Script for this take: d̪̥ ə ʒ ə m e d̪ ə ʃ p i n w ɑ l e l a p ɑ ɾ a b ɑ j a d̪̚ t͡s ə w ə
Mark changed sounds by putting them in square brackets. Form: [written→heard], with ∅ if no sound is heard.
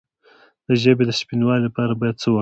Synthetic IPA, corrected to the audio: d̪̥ ə ʒ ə [m→b] e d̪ ə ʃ p i n w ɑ l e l a p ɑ ɾ a b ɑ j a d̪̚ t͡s ə w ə